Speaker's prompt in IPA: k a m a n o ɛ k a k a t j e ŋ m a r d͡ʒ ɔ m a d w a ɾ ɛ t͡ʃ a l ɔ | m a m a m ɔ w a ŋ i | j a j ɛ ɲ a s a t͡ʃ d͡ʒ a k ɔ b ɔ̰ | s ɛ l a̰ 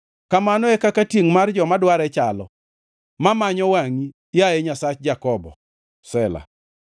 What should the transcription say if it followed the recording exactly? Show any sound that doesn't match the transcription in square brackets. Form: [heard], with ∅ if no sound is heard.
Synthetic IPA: k a m a n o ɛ k a k a t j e ŋ m a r d͡ʒ ɔ m a d w a ɾ ɛ t͡ʃ a l ɔ | m a m a [ɲ] ɔ w a ŋ i | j a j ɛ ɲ a s a t͡ʃ d͡ʒ a k ɔ b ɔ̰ | s ɛ l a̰

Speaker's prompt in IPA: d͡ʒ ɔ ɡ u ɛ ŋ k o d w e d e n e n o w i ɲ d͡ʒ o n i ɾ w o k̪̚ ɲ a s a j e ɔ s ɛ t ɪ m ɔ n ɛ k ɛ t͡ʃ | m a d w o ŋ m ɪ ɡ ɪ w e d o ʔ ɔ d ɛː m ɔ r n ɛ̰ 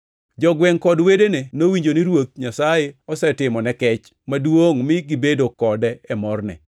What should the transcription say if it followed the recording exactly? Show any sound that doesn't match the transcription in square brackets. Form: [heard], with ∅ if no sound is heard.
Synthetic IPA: d͡ʒ ɔ ɡ [w] ɛ ŋ k [ɔ] d w e d e n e n o w i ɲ d͡ʒ o n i ɾ w o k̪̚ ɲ a s a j e ɔ s ɛ t ɪ m ɔ n ɛ k ɛ t͡ʃ | m a d w o ŋ m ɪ ɡ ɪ [b] e d o [k] ɔ d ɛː m ɔ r n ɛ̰

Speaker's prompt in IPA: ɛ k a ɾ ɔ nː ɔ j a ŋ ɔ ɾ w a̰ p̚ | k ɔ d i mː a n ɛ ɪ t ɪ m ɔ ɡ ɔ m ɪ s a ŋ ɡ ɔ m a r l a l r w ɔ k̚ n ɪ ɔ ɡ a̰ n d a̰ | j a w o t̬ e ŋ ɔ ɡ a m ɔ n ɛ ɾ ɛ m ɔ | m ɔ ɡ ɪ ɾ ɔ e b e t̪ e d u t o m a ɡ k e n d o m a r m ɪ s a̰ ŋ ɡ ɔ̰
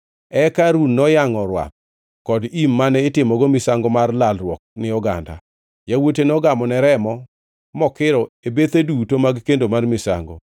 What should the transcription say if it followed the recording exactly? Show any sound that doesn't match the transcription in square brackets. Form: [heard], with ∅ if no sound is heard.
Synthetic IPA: ɛ k a ɾ [u] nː ɔ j a ŋ ɔ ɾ w a̰ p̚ | k ɔ d i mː a n ɛ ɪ t ɪ m ɔ ɡ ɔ m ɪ s a ŋ ɡ ɔ m a r l a l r w ɔ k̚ n ɪ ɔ ɡ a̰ n d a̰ | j a w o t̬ e [n] ɔ ɡ a m ɔ n ɛ ɾ ɛ m ɔ | m ɔ [k] ɪ ɾ ɔ e b e t̪ e d u t o m a ɡ k e n d o m a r m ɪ s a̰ ŋ ɡ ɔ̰

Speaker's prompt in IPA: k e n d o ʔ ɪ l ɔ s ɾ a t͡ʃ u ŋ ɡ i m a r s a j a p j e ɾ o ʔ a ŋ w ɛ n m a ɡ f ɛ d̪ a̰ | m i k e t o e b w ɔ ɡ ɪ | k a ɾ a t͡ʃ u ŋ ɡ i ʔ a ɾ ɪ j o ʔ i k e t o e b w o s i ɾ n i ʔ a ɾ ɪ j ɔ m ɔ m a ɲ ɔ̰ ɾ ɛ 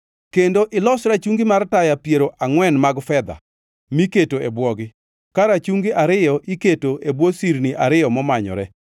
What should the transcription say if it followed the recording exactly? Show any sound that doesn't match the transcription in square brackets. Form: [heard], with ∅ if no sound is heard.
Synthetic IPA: k e n d o ʔ ɪ l ɔ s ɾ a t͡ʃ u ŋ ɡ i m a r [t] a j a p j e ɾ o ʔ a ŋ w ɛ n m a ɡ f ɛ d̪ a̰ | m i k e t o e b w ɔ ɡ ɪ | k a ɾ a t͡ʃ u ŋ ɡ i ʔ a ɾ ɪ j [ɔ] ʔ i k e t o e b w o s i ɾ n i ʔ a ɾ ɪ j ɔ m ɔ m a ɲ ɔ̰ ɾ ɛ

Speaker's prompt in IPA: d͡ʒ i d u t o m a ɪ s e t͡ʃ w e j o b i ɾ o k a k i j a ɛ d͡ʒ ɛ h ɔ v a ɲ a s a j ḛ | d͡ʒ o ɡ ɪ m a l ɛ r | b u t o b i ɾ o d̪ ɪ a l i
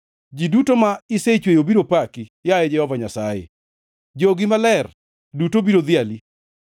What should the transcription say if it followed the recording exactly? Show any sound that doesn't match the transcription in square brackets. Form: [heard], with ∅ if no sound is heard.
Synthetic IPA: d͡ʒ i d u t o m a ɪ s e t͡ʃ w e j o b i ɾ o [p] a k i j a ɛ d͡ʒ ɛ h ɔ v a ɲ a s a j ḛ | d͡ʒ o ɡ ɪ m a l ɛ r | [d] u t o b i ɾ o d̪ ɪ a l i

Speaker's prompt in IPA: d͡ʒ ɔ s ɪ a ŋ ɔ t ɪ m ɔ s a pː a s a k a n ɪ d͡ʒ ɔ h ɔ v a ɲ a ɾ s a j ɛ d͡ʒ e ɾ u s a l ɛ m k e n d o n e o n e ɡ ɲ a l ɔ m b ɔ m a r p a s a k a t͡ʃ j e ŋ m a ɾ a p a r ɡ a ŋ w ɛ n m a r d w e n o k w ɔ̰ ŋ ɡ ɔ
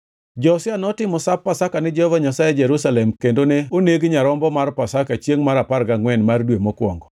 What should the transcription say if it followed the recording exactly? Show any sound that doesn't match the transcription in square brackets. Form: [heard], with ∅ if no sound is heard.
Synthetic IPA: d͡ʒ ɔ s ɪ a [n] ɔ t ɪ m ɔ s a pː a s a k a n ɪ d͡ʒ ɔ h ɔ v a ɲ a [∅] s a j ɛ d͡ʒ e ɾ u s a l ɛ m k e n d o n e o n e ɡ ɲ a [ɾ] ɔ m b ɔ m a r p a s a k a t͡ʃ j e ŋ m a ɾ a p a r ɡ a ŋ w ɛ n m a r d w e [m] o k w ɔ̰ ŋ ɡ ɔ

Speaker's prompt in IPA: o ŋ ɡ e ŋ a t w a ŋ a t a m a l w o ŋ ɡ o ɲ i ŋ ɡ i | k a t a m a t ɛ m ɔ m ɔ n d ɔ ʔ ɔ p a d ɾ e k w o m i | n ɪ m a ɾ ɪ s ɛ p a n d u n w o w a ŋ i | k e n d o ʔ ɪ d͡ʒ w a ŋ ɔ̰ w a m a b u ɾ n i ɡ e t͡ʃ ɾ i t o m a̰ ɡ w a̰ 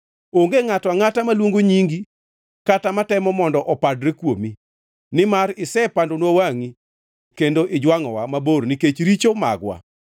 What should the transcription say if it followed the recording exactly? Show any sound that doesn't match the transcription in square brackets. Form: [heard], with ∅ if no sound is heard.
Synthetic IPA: o ŋ ɡ e ŋ a t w a ŋ a t a m a l w o ŋ ɡ o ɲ i ŋ ɡ i | k a t a m a t ɛ m ɔ m ɔ n d ɔ ʔ ɔ p a d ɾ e k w o m i | n ɪ m a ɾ ɪ s ɛ p a n d [o] n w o w a ŋ i | k e n d o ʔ ɪ d͡ʒ w a ŋ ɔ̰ w a m a b [o] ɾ n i [k] e t͡ʃ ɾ i [t͡ʃ] o m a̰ ɡ w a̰

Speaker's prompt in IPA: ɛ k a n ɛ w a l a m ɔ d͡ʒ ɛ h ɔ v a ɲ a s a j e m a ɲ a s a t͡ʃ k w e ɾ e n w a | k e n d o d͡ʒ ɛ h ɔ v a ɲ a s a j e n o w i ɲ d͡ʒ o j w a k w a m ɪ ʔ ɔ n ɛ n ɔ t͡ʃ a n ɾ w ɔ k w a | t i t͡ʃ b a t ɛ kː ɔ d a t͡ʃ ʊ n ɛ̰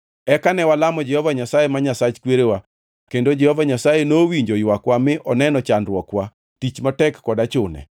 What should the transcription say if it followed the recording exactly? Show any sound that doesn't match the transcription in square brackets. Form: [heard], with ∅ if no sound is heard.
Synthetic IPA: ɛ k a n ɛ w a l a m ɔ d͡ʒ ɛ h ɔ v a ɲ a s a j e m a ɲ a s a t͡ʃ k w e ɾ e [∅] w a | k e n d o d͡ʒ ɛ h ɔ v a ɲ a s a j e n o w i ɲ d͡ʒ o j w a k w a m ɪ ʔ ɔ n ɛ n ɔ t͡ʃ a n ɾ w ɔ k w a | t i t͡ʃ [m] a t ɛ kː ɔ d a t͡ʃ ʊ n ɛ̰

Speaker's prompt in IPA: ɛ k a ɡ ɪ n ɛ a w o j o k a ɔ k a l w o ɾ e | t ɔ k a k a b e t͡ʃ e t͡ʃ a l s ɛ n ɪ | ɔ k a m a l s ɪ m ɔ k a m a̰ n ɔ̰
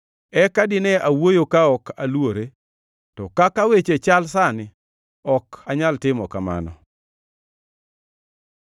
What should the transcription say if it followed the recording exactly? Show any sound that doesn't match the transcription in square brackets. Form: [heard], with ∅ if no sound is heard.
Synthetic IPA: ɛ k a [d] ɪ n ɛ a w o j o k a ɔ k a l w o ɾ e | t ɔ k a k a [w] e t͡ʃ e t͡ʃ a l s [a] n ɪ | ɔ k a [ɲ] a l [t] ɪ m ɔ k a m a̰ n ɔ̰

